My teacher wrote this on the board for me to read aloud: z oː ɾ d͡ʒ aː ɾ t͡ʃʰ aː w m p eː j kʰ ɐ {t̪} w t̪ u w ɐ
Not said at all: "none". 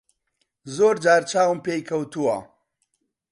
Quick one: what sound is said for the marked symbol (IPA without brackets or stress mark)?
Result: none